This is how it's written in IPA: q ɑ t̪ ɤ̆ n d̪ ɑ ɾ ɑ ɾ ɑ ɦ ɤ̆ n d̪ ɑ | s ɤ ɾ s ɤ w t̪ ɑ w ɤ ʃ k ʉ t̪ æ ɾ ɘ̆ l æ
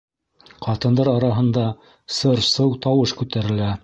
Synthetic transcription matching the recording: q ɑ t̪ ɤ̆ n d̪ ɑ ɾ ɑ ɾ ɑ ɦ ɤ̆ n d̪ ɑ | s ɤ ɾ s ɤ w t̪ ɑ w ɤ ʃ k ʉ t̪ æ ɾ ɘ̆ l æ